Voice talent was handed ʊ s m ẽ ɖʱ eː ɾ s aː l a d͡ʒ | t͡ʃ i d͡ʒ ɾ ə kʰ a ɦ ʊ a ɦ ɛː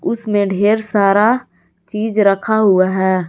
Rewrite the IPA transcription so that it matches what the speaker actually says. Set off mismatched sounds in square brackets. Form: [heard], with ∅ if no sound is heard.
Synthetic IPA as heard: ʊ s m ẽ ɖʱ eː ɾ s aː [ɾ] a [∅] | t͡ʃ [iː] d͡ʒ ɾ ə kʰ a ɦ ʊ a ɦ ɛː